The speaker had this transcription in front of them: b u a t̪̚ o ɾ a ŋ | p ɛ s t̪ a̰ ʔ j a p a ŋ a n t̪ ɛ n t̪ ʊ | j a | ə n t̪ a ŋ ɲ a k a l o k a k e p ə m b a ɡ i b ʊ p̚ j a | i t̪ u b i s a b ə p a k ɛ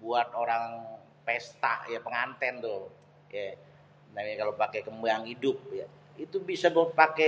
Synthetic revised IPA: b u a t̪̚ o ɾ a ŋ | p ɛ s t̪ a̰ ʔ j a p ə ŋ a n t̪ ɛ n t̪ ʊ | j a | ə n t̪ a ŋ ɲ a k a l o p a k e k ə m b a ŋ i d ʊ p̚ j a | i t̪ u b i s a b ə p a k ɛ